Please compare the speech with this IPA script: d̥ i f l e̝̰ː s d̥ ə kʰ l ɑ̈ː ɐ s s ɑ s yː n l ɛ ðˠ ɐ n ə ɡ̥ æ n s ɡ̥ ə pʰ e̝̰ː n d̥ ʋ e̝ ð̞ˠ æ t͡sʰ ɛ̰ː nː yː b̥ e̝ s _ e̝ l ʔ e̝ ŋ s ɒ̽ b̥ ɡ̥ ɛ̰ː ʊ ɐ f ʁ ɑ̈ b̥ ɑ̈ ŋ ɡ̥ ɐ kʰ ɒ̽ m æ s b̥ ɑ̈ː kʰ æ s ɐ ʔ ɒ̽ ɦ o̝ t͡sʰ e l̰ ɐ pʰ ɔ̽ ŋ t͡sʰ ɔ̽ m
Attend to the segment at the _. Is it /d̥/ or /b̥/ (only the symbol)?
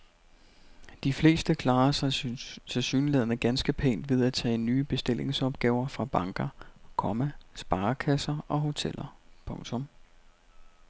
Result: d̥